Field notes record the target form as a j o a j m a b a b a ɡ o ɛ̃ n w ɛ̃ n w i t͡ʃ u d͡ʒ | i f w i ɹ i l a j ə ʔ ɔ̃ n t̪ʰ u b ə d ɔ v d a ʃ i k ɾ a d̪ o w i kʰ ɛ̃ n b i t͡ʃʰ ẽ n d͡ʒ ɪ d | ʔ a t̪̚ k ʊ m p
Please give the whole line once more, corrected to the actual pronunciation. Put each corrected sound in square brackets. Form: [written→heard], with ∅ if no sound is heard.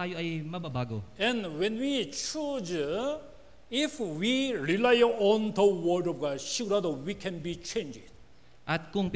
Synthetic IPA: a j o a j m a b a b a ɡ o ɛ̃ n w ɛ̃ n w i t͡ʃ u d͡ʒ | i f w i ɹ i l a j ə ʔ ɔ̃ n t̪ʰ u [b→w] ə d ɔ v [d→ɡ] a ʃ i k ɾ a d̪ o w i kʰ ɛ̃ n b i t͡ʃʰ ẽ n d͡ʒ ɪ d | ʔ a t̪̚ k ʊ [m→ŋ] p